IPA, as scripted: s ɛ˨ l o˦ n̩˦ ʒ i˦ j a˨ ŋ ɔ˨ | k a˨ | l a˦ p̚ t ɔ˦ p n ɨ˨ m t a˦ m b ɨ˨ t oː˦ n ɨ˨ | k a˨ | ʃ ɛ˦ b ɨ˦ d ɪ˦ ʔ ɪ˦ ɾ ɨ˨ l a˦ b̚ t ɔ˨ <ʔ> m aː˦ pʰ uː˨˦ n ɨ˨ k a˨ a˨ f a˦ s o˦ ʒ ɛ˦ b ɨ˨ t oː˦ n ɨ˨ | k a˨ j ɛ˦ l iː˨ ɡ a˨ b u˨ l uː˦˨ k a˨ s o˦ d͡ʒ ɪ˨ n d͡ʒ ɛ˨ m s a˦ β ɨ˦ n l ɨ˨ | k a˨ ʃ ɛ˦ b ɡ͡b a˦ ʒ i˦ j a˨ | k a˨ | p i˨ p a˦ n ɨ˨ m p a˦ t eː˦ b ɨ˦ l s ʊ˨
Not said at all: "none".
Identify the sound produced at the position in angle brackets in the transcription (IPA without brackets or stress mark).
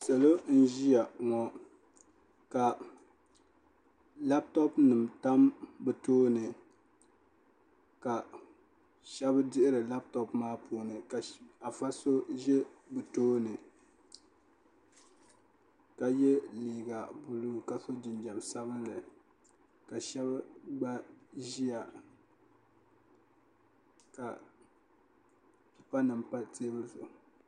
p